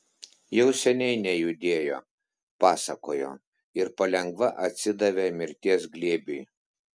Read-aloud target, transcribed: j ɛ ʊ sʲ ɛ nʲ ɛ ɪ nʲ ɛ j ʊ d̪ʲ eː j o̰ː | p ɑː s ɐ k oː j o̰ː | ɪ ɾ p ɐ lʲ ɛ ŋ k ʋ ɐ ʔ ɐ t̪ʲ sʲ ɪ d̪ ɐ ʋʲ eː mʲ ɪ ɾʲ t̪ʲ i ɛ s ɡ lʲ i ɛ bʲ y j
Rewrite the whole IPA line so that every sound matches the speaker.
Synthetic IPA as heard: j ɛ ʊ sʲ ɛ nʲ ɛ ɪ nʲ ɛ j ʊ d̪ʲ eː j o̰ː | p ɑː s ɐ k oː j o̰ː | ɪ ɾ p ɐ lʲ ɛ ŋ ɡ ʋ ɐ ʔ ɐ t̪ʲ sʲ ɪ d̪ ɐ ʋʲ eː mʲ ɪ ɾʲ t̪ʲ i ɛ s ɡ lʲ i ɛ bʲ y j